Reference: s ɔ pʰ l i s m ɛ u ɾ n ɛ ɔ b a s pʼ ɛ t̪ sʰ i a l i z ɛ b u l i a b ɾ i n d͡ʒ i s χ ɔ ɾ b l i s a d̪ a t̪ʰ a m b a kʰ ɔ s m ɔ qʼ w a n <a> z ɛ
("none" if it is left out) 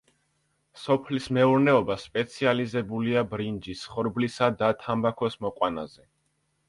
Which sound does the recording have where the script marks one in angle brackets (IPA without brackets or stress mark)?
a